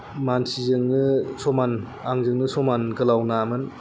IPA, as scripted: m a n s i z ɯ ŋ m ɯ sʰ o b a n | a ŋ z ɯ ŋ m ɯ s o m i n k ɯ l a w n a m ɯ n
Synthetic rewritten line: m a n s i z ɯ ŋ n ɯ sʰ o m a n | a ŋ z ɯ ŋ n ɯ s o m a n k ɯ l a w n a m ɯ n